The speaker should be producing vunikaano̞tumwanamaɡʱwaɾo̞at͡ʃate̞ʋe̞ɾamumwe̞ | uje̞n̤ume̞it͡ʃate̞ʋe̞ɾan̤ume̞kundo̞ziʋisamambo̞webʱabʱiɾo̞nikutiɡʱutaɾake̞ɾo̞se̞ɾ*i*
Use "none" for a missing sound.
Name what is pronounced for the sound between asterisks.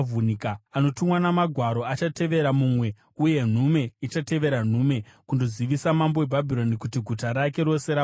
a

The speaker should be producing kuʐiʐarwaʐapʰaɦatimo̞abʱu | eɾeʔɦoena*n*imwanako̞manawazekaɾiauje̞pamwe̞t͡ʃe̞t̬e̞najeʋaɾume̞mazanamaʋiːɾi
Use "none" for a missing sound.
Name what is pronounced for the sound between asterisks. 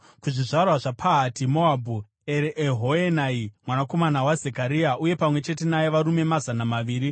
none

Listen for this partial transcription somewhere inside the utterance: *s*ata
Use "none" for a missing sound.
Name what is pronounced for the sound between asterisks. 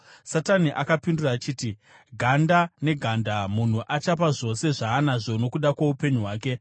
s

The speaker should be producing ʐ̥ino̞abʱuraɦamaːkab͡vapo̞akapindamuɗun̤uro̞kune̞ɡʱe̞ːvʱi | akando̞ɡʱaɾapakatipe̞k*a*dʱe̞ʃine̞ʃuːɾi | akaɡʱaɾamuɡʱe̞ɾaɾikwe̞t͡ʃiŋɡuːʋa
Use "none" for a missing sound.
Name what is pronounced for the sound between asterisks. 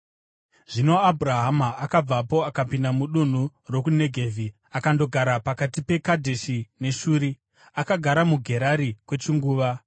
a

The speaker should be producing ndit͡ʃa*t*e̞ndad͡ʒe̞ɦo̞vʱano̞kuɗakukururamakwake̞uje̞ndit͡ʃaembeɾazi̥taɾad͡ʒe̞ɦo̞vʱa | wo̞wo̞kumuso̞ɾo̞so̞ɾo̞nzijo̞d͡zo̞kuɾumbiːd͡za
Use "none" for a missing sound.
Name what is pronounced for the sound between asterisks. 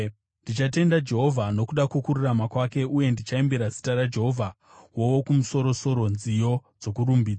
t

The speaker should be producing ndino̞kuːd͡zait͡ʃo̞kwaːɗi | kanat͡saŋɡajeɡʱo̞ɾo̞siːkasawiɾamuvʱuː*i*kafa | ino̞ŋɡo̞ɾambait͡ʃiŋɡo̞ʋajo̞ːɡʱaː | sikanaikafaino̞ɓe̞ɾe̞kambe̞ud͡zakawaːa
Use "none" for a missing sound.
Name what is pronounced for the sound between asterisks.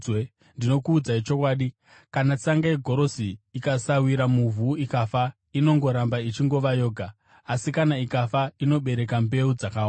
i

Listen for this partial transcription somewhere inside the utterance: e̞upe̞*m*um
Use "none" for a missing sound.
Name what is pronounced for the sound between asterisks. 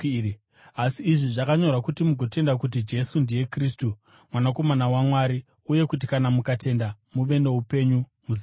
ɲ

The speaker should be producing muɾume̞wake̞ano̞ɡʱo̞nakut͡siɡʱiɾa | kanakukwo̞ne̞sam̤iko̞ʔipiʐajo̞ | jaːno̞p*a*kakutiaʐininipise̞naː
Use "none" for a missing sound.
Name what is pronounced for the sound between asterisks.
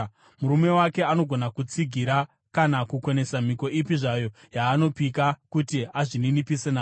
i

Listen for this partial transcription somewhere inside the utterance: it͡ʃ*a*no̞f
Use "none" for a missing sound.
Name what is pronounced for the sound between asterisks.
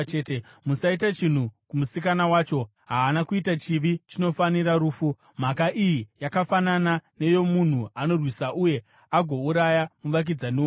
i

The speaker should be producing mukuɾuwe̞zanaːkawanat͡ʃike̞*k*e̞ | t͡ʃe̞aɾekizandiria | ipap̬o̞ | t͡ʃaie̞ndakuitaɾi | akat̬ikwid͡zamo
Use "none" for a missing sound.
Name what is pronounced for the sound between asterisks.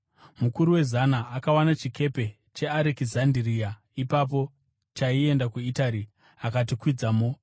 p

